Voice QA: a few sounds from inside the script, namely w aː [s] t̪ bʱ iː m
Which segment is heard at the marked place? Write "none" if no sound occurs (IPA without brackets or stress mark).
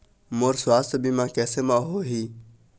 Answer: s